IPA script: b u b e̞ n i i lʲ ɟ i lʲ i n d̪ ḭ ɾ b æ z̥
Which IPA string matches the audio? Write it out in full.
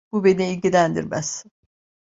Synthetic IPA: b u b e̞ n i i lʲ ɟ i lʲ æ n d̪ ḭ ɾ m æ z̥